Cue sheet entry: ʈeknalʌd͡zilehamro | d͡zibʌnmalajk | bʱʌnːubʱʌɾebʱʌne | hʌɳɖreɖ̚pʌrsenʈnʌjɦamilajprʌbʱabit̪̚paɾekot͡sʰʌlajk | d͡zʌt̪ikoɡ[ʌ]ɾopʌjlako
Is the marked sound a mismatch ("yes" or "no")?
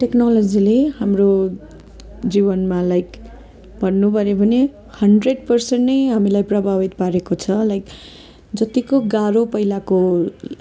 yes